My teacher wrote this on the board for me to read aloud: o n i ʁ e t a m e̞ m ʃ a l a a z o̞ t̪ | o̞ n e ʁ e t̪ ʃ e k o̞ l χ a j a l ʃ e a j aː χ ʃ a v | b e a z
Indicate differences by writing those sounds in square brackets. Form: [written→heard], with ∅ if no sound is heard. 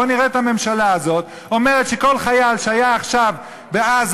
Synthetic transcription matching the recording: o n i ʁ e t a m e̞ m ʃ a l a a z o̞ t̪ | o̞ [n→m] e ʁ e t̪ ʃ e k o̞ l χ a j a l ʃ e a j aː χ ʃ a v | b e a z